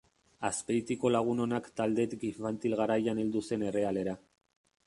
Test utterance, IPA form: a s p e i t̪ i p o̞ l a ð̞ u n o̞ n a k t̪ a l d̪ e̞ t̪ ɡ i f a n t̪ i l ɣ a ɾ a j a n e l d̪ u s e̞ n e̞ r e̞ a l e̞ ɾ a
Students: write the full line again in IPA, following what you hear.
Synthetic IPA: a s p e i t̪ i k o̞ l a ɣ̞ u n o̞ n a k t̪ a l d̪ e̞ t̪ ɡ i f a n t̪ i l ɣ a ɾ a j a n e l d̪ u s e̞ n e̞ r e̞ a l e̞ ɾ a